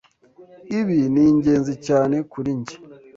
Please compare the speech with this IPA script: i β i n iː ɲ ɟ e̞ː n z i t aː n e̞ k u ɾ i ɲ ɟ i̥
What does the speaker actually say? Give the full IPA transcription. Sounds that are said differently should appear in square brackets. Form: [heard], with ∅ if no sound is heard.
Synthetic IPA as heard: i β i n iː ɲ ɟ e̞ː n z i [c] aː n e̞ k u ɾ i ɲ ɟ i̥